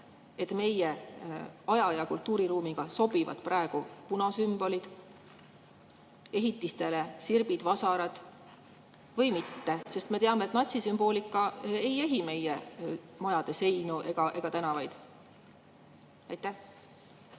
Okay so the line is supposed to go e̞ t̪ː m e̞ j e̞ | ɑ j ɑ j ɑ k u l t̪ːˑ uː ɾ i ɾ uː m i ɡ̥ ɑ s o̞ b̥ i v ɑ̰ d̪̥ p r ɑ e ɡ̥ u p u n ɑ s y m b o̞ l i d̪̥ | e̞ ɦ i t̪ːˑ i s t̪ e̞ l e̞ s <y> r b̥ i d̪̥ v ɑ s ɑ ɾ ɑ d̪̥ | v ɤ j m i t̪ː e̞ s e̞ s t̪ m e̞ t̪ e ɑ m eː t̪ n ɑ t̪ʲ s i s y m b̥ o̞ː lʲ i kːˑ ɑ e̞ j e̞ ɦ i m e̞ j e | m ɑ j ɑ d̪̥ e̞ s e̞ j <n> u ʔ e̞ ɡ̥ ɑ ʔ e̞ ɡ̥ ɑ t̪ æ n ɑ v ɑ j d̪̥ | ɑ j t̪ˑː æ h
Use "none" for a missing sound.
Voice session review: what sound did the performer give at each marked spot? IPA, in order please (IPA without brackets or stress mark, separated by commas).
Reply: i, n